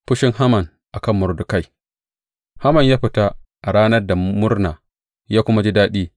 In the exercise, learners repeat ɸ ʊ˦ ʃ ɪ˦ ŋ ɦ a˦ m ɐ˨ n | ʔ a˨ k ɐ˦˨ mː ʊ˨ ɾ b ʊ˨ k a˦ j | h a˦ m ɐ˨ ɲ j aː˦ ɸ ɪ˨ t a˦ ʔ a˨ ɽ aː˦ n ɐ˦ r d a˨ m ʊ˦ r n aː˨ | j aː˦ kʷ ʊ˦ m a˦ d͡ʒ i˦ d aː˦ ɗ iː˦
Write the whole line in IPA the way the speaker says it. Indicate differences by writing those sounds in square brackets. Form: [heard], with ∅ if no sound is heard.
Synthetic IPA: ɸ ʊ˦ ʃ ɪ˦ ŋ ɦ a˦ m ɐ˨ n | ʔ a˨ k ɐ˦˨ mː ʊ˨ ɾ [d] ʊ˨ k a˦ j | h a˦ m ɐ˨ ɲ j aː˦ ɸ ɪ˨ t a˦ ʔ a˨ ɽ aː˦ n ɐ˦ r d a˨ m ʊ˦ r n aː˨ | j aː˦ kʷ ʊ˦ m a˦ d͡ʒ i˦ d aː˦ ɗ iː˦